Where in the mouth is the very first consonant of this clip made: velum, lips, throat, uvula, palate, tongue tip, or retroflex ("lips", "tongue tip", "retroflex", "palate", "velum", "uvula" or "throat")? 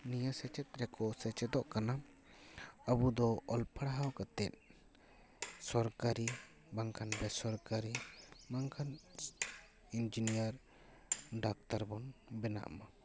tongue tip